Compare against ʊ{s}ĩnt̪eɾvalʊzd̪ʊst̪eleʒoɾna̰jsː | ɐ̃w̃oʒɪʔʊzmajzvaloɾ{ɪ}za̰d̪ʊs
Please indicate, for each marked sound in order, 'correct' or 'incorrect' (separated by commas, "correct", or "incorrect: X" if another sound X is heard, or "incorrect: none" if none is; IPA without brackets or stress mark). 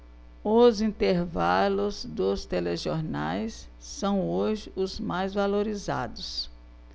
incorrect: z, incorrect: i